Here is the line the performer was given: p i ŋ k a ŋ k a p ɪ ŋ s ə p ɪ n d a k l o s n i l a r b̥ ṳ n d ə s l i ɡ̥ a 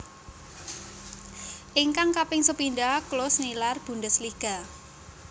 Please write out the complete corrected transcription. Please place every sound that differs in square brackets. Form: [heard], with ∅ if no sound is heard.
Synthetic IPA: [ʔ] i ŋ k a ŋ k a p ɪ ŋ s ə p [i] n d a k l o s n i l a r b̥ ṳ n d ə s l i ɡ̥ a